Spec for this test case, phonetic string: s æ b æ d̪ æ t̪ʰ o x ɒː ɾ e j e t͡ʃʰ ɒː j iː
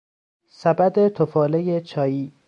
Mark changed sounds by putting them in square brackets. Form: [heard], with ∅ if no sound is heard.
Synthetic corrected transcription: s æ b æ d̪ [e] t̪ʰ o [f] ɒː [l] e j e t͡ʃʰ ɒː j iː